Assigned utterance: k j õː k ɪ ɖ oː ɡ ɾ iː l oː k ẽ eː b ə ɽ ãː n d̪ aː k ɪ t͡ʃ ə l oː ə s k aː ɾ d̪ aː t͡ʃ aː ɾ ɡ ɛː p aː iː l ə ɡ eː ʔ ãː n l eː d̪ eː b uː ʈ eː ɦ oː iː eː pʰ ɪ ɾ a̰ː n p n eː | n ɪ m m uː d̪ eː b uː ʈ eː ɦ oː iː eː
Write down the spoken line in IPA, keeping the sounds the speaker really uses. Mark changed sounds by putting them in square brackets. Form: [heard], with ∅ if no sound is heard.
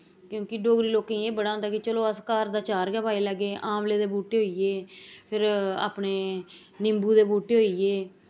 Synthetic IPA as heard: k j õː k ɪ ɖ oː ɡ ɾ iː l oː k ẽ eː b ə ɽ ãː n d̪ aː k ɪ t͡ʃ ə l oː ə s k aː ɾ d̪ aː t͡ʃ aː ɾ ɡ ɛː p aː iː l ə ɡ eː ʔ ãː [m] l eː d̪ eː b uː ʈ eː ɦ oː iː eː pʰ ɪ ɾ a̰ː [∅] p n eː | n ɪ m [b] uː d̪ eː b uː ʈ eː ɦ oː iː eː

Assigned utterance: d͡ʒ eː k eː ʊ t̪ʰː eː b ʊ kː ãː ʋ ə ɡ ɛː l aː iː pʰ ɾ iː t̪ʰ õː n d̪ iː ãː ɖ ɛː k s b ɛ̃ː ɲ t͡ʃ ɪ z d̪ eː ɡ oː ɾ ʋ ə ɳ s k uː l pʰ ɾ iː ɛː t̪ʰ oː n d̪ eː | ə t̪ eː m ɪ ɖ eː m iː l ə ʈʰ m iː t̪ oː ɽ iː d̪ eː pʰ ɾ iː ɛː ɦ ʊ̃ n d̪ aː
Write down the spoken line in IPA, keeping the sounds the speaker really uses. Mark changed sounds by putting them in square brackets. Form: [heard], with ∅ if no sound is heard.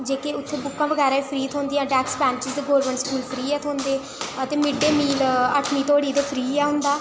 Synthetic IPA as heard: d͡ʒ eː k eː ʊ t̪ʰː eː b ʊ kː ãː ʋ ə ɡ ɛː [ɾ] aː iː pʰ ɾ iː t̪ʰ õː n d̪ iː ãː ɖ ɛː k s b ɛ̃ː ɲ t͡ʃ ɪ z d̪ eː ɡ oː ɾ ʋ ə ɳ s k uː l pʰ ɾ iː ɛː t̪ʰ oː n d̪ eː | ə t̪ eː m ɪ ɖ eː m iː l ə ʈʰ m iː t̪ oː ɽ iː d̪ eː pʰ ɾ iː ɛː ɦ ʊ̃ n d̪ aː

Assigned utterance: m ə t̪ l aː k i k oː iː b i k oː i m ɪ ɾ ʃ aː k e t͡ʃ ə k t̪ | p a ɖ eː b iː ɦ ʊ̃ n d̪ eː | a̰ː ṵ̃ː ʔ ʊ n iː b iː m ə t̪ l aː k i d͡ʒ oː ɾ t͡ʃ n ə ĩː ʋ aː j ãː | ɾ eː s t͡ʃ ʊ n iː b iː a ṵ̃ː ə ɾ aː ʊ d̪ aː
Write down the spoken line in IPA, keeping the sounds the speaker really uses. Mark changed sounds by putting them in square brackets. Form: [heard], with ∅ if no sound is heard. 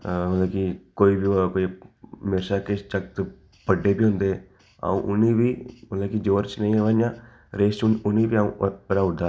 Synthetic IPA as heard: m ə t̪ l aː k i k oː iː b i k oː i m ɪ ɾ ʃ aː k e t͡ʃ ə k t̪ | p [ə] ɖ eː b iː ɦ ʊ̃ n d̪ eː | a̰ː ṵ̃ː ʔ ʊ n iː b iː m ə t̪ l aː k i d͡ʒ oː ɾ t͡ʃ n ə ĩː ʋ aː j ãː | ɾ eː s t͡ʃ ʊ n iː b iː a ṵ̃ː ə ɾ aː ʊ d̪ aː

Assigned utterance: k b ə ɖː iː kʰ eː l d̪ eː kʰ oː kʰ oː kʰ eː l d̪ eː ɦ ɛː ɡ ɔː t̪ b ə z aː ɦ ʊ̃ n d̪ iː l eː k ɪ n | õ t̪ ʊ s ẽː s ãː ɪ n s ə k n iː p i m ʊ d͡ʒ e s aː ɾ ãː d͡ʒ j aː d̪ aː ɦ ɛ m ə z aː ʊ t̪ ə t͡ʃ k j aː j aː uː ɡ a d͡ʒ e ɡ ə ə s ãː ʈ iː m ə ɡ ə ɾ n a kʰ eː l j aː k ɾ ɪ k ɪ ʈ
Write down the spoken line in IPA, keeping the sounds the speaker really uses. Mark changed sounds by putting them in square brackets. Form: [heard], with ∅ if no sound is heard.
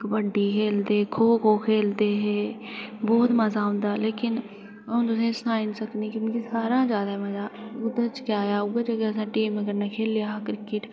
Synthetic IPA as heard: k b ə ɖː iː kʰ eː l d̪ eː kʰ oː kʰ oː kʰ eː l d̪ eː ɦ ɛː [b] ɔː t̪ [m] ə z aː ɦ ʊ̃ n d̪ [aː] l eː k ɪ n | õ t̪ ʊ s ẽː s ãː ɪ n s ə k n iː [k] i m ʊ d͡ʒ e s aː ɾ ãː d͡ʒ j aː d̪ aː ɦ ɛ m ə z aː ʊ [d̪] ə t͡ʃ k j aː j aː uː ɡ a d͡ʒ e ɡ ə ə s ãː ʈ iː m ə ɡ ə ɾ n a kʰ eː l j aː k ɾ ɪ k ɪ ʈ

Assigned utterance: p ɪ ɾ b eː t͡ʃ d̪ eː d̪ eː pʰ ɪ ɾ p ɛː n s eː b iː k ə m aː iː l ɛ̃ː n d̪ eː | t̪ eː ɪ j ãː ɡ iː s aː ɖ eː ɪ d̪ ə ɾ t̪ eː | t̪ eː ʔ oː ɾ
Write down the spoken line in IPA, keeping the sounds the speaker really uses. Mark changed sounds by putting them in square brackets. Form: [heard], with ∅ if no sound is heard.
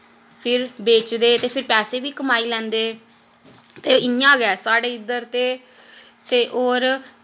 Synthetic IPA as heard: [pʰ] ɪ ɾ b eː t͡ʃ d̪ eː [t̪] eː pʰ ɪ ɾ p ɛː [∅] s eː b iː k ə m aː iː l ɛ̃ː n d̪ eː | t̪ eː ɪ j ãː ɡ [ɛː] s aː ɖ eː ɪ d̪ ə ɾ t̪ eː | t̪ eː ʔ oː ɾ

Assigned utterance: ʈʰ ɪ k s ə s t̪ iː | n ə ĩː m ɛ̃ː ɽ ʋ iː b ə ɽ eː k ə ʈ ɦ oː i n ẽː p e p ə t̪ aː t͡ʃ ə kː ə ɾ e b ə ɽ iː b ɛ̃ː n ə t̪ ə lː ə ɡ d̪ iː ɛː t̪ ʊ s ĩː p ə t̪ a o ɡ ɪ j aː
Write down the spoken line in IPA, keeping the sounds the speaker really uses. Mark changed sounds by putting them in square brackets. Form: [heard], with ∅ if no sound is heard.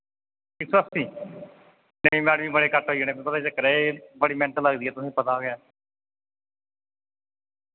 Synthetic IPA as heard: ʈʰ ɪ k s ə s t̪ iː | n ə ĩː m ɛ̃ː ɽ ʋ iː b ə ɽ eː k ə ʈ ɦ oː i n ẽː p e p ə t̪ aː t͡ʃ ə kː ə ɾ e b ə ɽ iː [m] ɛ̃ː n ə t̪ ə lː ə ɡ d̪ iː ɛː t̪ ʊ s ĩː p ə t̪ a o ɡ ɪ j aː

